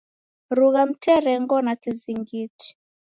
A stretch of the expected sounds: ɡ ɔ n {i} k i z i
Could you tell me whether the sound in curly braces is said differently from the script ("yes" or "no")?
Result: yes